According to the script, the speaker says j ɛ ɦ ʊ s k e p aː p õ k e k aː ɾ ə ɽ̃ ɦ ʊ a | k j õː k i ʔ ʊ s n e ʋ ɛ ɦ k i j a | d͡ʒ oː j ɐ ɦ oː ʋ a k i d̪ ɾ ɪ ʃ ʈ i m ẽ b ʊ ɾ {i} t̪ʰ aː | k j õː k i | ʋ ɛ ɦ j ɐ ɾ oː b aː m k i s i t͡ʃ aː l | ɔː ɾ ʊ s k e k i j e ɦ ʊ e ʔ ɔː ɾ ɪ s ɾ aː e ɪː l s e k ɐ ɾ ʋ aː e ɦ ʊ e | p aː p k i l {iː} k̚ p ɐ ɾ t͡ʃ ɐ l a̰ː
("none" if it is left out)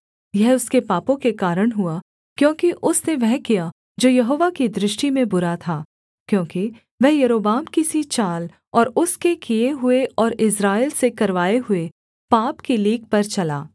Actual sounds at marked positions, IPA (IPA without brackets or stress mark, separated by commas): a, iː